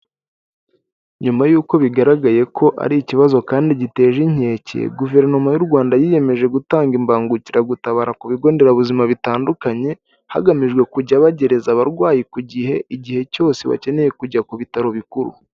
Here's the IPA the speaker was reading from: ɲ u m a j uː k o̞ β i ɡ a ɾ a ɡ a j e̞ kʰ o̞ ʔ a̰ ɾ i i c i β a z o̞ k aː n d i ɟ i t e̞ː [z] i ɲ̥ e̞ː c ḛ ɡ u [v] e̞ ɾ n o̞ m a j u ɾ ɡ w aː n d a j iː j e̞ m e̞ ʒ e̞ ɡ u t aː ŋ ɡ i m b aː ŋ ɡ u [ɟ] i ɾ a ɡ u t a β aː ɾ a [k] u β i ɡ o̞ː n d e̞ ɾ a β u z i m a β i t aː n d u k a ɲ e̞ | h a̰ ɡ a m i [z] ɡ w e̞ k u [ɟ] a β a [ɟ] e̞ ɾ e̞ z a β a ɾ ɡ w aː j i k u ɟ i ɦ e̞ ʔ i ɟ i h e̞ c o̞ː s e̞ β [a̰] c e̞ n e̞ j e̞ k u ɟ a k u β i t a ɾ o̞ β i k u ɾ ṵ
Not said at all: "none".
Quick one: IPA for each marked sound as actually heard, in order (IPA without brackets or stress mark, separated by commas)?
ʒ, v, c, k, ʒ, ɟ, ɟ, a̰